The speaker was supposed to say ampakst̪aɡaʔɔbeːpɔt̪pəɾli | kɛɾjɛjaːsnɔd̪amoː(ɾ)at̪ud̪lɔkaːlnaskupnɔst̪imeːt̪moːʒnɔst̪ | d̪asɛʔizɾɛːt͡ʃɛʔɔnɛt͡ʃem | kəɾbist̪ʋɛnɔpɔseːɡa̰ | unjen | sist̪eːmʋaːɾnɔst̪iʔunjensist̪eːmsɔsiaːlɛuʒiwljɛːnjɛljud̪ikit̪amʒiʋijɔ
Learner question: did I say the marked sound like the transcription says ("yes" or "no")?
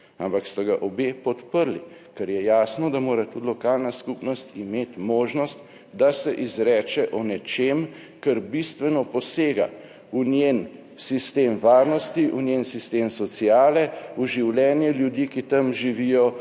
yes